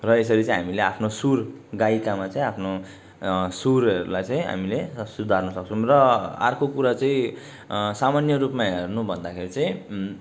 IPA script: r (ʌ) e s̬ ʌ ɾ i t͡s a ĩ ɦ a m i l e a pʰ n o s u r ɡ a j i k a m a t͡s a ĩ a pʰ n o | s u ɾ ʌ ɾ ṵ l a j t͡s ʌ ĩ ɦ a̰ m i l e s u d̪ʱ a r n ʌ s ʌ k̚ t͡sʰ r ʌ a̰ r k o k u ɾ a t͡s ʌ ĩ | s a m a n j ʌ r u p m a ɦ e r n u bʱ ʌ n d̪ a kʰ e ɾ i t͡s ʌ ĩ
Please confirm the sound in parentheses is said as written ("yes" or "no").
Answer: yes